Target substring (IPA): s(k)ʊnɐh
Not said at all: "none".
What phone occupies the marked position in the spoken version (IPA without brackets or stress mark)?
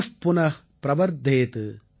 p